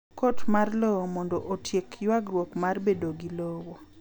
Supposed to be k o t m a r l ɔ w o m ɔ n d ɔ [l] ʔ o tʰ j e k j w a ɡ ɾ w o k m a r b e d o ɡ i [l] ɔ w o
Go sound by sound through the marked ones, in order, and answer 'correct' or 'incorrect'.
incorrect, correct

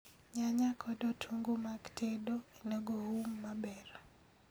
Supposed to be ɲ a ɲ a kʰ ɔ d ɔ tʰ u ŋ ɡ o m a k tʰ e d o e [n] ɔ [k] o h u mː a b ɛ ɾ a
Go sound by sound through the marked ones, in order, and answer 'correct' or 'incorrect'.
correct, incorrect

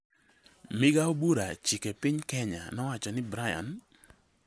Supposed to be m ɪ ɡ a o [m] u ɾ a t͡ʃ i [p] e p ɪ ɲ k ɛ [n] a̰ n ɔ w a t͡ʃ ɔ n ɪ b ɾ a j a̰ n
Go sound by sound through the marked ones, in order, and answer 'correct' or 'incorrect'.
incorrect, incorrect, incorrect

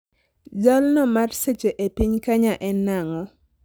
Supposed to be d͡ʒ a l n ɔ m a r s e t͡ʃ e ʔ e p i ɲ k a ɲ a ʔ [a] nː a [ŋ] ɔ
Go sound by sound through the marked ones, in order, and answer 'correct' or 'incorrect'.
incorrect, correct

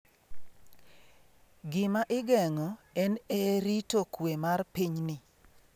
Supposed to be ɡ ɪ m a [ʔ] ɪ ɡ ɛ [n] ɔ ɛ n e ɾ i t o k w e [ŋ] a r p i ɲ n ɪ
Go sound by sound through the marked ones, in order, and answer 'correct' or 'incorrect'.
correct, incorrect, incorrect

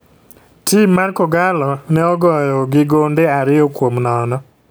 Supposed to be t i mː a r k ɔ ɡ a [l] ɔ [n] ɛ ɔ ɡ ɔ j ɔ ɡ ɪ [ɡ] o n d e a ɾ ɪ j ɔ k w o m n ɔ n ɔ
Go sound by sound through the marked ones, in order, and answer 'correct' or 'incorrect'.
correct, correct, correct

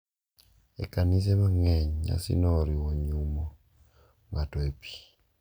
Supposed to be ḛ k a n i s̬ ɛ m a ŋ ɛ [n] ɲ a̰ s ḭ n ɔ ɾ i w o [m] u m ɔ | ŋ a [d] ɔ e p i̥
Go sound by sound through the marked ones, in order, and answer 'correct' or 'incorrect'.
incorrect, incorrect, incorrect

